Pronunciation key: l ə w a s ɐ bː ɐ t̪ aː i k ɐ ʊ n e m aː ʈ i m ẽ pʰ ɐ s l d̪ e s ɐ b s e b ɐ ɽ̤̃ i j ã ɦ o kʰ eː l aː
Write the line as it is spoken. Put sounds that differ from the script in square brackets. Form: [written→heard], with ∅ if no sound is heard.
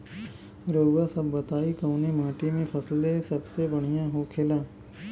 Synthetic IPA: [l→ɾ] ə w a s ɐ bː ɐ t̪ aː i k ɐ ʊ n e m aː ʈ i m ẽ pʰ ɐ s l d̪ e s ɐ b s e b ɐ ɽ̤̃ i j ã ɦ o kʰ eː l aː